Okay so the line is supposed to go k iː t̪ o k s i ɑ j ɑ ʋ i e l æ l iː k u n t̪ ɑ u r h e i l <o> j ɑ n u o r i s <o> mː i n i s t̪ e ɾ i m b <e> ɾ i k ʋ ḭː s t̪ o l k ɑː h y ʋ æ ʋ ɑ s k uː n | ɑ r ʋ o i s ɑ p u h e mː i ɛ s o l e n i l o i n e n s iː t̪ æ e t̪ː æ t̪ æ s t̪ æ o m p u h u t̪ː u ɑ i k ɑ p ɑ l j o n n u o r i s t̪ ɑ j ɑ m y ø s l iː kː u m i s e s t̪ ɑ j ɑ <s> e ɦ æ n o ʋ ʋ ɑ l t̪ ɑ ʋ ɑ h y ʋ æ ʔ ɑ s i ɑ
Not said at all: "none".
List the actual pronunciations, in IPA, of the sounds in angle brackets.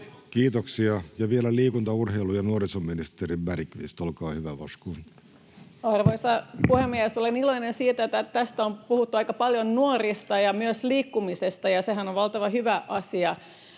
u, o, æ, s

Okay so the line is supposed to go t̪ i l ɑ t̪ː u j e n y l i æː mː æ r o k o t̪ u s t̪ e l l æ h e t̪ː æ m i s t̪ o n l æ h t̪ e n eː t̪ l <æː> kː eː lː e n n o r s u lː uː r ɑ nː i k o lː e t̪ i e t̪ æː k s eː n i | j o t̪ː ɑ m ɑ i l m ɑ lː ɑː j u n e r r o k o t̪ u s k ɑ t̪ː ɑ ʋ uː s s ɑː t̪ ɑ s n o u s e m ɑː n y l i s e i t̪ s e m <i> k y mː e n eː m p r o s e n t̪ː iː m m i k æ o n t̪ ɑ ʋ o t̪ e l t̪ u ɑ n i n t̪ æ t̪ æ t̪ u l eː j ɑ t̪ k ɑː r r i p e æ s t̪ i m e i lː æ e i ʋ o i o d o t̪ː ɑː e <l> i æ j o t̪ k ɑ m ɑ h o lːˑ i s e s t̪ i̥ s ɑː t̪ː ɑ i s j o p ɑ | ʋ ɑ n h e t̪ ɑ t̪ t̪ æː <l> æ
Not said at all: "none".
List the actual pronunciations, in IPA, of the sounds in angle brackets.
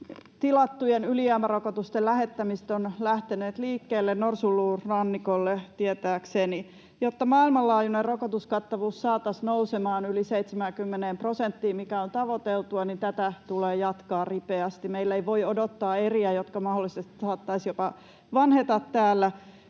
iː, æ, r, lː

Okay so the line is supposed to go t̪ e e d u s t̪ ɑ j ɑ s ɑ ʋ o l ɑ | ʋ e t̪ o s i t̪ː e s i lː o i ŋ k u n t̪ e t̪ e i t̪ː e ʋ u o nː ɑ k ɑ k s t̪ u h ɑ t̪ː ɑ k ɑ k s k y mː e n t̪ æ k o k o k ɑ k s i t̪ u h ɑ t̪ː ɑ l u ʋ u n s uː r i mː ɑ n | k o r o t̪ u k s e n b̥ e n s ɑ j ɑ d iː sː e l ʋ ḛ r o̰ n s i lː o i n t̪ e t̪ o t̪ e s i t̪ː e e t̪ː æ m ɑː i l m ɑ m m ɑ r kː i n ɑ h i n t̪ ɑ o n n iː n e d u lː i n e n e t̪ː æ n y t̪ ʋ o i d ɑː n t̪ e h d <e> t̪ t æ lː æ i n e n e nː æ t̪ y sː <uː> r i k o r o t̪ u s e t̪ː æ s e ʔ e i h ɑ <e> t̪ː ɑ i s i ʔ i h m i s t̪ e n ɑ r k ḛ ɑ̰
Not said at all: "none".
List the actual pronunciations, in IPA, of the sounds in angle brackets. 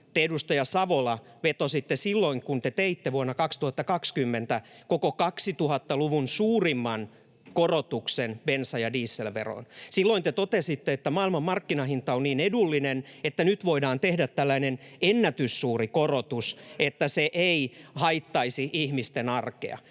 æ, uː, i

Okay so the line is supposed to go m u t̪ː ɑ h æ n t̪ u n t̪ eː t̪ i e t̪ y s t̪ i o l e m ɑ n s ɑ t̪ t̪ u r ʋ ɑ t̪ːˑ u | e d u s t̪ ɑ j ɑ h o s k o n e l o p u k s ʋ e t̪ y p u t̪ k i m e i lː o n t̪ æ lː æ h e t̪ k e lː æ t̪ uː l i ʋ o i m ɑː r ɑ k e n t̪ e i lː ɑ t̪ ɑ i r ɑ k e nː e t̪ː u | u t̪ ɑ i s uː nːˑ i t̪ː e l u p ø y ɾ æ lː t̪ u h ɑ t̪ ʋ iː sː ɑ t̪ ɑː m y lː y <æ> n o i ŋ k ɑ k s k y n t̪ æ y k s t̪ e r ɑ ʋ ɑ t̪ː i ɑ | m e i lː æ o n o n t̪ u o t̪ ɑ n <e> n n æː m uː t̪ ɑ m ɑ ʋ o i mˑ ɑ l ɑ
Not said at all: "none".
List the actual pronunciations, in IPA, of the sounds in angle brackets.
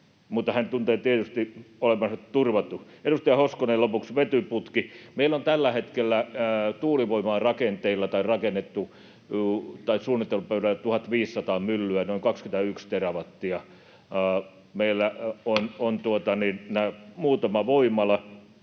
æ, i

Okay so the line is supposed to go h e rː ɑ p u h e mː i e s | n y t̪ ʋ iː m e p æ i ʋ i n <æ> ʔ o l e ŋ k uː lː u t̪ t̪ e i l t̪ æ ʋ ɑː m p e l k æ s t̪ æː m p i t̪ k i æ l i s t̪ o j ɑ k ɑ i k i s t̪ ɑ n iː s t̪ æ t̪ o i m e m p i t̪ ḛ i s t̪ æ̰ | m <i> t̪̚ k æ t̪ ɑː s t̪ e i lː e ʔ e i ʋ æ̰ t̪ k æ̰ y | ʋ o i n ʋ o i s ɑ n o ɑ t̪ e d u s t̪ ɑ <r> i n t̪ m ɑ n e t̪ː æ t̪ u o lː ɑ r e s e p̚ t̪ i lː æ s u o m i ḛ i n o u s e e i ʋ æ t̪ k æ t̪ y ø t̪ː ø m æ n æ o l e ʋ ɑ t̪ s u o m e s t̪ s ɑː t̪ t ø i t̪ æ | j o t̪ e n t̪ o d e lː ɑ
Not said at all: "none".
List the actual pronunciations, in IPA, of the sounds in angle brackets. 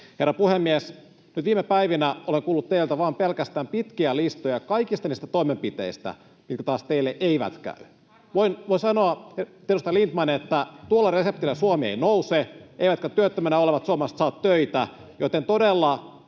æ, i, l

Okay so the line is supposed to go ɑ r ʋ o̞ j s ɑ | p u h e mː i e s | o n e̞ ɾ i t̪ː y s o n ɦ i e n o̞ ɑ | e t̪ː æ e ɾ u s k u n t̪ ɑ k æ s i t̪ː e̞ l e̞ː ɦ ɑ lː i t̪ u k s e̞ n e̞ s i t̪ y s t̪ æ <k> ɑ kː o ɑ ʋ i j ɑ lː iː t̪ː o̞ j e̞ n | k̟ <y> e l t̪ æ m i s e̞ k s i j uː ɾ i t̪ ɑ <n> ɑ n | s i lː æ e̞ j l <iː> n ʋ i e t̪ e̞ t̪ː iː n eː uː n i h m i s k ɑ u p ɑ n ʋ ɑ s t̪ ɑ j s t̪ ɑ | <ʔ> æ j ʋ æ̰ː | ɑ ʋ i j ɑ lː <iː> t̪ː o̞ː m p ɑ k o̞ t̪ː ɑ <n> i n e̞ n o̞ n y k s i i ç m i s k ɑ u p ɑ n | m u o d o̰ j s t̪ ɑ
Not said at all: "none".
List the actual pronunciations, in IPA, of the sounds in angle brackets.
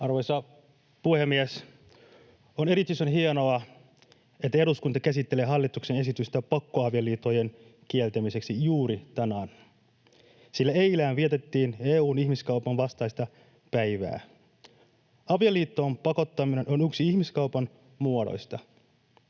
p, i, n, æː, p, iː, m

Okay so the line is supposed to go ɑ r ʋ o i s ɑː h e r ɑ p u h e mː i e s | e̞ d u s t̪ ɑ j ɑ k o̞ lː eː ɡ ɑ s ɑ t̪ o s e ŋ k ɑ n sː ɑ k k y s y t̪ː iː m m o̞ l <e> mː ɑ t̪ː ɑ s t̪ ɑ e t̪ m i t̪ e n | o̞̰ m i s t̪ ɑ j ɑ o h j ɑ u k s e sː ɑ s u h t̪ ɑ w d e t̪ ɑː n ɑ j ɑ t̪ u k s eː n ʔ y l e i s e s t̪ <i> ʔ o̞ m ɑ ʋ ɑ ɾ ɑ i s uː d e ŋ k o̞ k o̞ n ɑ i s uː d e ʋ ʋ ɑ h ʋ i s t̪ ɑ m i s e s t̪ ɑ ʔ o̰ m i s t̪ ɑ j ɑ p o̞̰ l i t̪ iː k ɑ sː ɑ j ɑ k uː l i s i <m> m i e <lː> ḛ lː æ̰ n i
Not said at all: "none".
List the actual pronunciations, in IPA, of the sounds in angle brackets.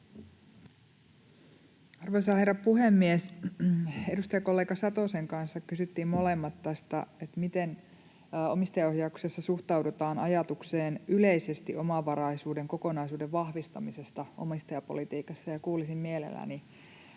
e, i, m, l

